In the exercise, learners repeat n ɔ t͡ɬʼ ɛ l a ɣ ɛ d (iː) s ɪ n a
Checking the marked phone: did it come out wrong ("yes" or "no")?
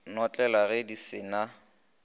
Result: yes